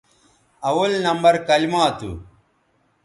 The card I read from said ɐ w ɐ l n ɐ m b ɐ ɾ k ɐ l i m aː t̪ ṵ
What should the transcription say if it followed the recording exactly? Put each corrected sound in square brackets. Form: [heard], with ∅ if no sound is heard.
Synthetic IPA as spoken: ɐ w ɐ l n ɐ m b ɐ ɾ k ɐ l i m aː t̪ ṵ